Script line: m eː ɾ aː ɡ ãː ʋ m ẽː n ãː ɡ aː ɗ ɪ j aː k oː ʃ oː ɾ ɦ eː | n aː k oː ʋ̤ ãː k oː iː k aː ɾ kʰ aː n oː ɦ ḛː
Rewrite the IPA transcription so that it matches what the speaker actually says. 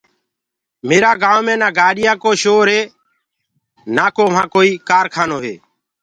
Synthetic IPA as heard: m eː ɾ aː ɡ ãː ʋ m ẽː n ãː ɡ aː ɗ ɪ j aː k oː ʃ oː ɾ ɦ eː | n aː k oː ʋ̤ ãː k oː iː k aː ɾ kʰ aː n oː ɦ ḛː